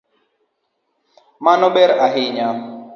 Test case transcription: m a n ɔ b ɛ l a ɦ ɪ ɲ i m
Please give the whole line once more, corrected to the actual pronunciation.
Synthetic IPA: m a n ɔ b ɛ ɾ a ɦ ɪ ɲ a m